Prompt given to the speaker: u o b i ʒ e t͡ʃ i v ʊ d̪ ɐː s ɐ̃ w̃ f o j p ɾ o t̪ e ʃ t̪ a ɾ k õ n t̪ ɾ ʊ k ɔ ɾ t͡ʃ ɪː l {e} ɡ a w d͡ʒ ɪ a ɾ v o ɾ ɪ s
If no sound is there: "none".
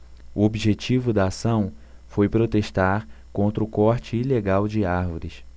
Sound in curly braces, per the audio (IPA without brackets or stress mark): e